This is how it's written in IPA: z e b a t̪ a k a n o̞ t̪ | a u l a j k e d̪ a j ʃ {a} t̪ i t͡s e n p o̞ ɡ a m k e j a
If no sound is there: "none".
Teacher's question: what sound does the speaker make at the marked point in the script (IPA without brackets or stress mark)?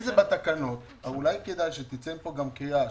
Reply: e